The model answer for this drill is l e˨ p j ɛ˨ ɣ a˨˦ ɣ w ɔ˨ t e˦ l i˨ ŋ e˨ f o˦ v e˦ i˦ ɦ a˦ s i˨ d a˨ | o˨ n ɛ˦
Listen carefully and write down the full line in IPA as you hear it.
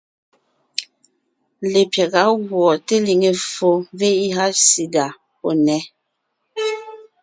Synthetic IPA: l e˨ p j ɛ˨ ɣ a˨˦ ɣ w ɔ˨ t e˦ l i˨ ŋ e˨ f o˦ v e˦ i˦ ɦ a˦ s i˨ d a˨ | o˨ n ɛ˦

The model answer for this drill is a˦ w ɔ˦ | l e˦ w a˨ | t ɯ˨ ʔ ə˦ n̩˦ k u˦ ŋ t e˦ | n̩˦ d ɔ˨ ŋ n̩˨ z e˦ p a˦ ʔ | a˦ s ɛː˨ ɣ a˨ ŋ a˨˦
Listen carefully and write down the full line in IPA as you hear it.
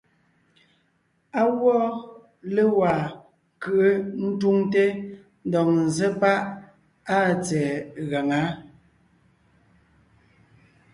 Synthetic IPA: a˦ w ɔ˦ | l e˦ w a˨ | k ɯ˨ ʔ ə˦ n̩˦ t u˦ ŋ t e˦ | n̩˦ d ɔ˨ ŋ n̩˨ z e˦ p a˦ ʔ | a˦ t͡s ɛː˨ ɣ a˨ ŋ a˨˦

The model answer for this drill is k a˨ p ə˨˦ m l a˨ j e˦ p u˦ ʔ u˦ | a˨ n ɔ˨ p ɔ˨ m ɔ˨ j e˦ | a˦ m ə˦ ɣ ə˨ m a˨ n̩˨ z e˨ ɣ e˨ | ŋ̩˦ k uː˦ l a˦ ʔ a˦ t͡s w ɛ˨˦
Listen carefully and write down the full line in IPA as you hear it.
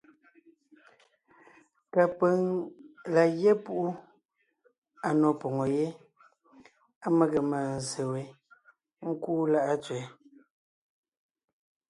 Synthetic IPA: k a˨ p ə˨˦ ŋ l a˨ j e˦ p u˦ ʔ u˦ | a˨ n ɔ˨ p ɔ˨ ŋ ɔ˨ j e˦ | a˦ m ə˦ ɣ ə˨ m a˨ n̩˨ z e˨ w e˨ | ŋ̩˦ k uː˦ l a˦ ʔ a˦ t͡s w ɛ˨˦

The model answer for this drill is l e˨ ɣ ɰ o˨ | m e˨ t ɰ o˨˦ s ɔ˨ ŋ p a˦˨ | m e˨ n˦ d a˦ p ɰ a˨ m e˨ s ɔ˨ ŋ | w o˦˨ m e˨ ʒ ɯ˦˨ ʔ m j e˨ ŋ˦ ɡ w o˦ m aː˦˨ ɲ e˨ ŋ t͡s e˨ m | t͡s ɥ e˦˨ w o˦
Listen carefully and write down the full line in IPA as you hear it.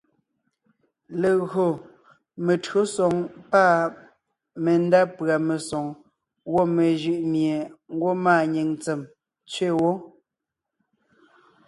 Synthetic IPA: l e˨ ɣ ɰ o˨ | m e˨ t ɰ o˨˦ s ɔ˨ ŋ p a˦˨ | m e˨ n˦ d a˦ p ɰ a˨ m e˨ s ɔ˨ ŋ | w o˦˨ m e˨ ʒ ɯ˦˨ ʔ m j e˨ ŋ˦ ɡ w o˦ m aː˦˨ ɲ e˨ ŋ t͡s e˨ m | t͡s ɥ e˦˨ w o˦

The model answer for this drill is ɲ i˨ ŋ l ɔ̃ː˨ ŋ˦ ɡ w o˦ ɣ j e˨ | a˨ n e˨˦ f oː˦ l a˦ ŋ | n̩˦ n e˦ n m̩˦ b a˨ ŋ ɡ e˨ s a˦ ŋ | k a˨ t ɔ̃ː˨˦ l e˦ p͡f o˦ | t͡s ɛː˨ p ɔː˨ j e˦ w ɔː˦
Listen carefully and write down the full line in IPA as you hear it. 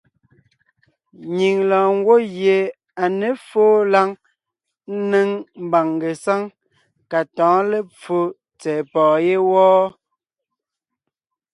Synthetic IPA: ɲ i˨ ŋ l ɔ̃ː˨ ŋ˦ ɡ w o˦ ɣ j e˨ | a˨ n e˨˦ f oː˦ l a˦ ŋ | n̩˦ n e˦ ŋ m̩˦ b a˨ ŋ ɡ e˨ s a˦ ŋ | k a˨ t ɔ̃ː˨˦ l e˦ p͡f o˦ | t͡s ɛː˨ p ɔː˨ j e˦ w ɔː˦

